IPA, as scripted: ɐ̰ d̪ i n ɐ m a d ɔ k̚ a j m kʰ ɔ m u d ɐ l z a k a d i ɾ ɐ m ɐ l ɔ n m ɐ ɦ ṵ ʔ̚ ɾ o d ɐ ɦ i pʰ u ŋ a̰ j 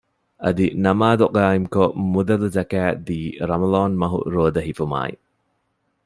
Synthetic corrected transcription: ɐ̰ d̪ i n ɐ m a d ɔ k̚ a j m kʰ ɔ m u d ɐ l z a k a d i ɾ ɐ m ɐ l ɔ n m ɐ ɦ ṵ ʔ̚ ɾ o d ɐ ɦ i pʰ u m a̰ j